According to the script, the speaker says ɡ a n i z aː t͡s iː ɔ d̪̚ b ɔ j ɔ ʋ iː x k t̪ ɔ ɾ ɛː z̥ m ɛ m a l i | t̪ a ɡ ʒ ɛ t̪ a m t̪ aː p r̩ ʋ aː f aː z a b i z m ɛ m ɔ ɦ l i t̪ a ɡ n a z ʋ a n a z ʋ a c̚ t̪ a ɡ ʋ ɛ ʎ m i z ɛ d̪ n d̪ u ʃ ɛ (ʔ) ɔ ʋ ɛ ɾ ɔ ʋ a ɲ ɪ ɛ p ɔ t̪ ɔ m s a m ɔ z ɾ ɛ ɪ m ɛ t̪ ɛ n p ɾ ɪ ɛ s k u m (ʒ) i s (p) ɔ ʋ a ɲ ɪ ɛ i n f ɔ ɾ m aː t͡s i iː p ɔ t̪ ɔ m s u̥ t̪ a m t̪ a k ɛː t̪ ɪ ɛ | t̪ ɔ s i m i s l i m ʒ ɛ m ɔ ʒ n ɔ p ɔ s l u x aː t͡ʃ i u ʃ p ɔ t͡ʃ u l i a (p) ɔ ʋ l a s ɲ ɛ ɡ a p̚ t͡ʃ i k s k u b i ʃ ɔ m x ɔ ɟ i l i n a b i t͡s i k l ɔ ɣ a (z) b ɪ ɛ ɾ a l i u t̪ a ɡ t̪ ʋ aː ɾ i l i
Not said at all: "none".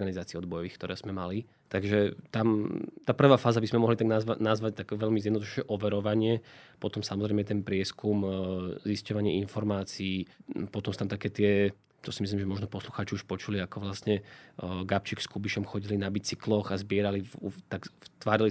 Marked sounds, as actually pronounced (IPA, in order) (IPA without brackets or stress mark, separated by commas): ʔ, z, c, k, z